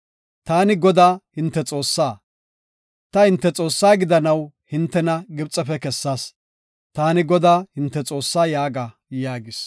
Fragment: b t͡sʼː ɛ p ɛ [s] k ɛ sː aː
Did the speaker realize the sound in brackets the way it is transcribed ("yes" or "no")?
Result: no